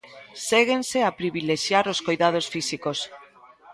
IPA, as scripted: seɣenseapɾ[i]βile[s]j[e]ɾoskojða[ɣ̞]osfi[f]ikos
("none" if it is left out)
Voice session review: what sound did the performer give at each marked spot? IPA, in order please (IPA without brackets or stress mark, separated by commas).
i, ʃ, a, ð̞, s